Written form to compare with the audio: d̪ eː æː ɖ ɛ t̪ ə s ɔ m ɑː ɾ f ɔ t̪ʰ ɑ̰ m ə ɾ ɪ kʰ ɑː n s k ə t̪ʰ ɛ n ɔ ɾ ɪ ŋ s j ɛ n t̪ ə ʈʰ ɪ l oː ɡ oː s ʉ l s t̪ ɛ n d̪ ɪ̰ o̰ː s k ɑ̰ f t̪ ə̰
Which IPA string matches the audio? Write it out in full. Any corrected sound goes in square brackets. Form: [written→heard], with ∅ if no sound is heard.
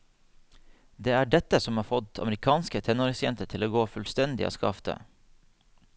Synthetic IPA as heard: d̪ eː æː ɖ ɛ t̪ ə s ɔ m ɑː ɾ f ɔ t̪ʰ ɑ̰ m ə ɾ ɪ kʰ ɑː n s k ə t̪ʰ ɛ n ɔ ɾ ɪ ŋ s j ɛ n t̪ ə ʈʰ ɪ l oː ɡ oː [s→f] ʉ l s t̪ ɛ n d̪ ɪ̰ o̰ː s k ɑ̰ f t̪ ə̰